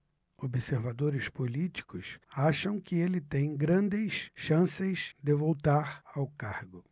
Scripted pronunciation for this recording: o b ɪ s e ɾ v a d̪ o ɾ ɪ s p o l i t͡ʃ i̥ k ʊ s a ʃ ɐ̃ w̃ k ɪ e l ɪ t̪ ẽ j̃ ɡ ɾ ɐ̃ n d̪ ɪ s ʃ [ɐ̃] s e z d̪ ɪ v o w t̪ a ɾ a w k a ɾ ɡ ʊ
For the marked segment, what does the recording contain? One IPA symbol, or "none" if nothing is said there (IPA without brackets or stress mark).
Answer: ɐ̃